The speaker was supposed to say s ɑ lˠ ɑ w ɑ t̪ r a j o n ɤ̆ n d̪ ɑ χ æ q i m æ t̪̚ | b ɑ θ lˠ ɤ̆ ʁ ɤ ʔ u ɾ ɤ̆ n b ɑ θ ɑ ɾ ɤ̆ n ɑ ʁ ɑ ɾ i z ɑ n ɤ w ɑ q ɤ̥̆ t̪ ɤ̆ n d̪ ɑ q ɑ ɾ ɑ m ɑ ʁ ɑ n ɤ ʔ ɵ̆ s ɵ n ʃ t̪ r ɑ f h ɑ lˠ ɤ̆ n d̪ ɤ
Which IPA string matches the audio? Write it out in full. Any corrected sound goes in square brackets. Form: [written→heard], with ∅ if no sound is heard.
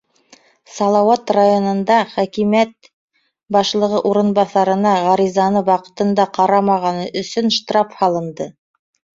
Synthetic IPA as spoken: s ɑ lˠ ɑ w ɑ t̪ r a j o n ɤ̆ n d̪ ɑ χ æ [q→k] i m æ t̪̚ | b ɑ [θ→ʃ] lˠ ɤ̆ ʁ ɤ ʔ u ɾ ɤ̆ n b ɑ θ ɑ ɾ ɤ̆ n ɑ ʁ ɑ ɾ i z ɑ n ɤ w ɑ q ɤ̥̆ t̪ ɤ̆ n d̪ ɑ q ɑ ɾ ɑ m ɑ ʁ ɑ n ɤ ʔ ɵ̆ s ɵ n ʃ t̪ r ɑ f h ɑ lˠ ɤ̆ n d̪ ɤ